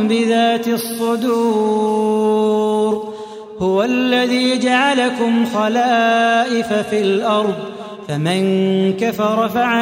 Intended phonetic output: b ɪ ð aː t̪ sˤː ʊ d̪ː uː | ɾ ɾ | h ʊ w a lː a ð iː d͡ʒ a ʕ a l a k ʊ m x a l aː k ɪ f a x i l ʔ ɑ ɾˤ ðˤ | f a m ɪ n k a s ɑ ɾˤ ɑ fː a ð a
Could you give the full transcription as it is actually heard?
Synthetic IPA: b ɪ ð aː t̪ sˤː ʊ d̪ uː | ɾ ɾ | h ʊ w a lː a ð iː d͡ʒ a ʕ a l a k ʊ m x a l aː ʔ ɪ f a f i l ʔ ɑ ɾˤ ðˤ | f a m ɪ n k a f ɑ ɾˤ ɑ f a ʕ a